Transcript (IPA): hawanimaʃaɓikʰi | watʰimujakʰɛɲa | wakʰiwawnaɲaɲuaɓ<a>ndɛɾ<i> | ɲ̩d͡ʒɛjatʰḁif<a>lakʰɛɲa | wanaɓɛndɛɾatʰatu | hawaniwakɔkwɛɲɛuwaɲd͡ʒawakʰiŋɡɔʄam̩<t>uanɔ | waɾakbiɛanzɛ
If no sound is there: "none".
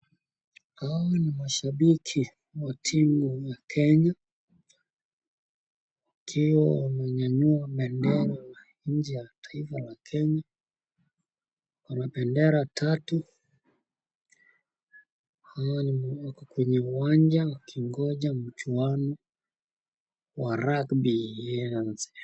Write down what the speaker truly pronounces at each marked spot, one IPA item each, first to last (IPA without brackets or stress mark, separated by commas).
ɛ, a, a, t͡ʃ